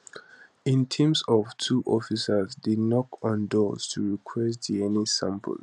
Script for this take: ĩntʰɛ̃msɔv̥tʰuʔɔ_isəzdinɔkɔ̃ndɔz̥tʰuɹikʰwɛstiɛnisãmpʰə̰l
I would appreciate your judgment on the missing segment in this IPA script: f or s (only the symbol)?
f